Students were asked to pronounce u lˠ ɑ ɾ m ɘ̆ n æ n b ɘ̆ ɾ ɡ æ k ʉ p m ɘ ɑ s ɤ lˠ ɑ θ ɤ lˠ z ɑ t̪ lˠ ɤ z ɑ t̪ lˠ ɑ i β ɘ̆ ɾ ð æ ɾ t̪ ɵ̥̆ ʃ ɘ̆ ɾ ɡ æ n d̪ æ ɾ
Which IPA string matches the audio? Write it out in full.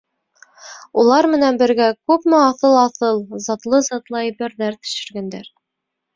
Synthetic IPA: u lˠ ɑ ɾ m ɘ̆ n æ n b ɘ̆ ɾ ɡ æ k ʉ p m ɘ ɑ θ ɤ lˠ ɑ θ ɤ lˠ z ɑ t̪ lˠ ɤ z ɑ t̪ lˠ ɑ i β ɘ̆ ɾ ð æ ɾ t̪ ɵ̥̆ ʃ ɘ̆ ɾ ɡ æ n d̪ æ ɾ